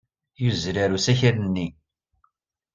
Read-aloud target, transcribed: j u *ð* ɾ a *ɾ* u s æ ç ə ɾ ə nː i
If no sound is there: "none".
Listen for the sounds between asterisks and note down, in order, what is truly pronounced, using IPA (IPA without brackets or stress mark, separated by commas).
z, ɾ